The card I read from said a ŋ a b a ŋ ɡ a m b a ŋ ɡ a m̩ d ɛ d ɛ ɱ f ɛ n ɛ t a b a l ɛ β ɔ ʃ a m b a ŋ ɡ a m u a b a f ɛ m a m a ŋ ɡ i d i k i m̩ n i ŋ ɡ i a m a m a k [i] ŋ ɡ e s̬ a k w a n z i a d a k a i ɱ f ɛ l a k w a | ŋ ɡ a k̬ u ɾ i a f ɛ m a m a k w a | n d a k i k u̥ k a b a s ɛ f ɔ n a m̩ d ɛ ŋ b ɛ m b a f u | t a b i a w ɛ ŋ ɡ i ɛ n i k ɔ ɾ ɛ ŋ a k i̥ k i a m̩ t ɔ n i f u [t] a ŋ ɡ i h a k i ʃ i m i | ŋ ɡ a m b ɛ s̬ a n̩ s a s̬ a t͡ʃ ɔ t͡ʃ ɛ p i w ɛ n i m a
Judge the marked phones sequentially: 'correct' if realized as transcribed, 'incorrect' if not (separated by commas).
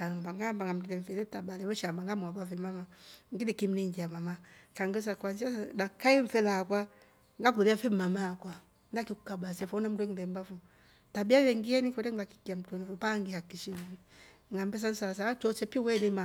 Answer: incorrect, incorrect